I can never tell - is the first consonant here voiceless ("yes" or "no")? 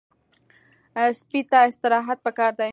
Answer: yes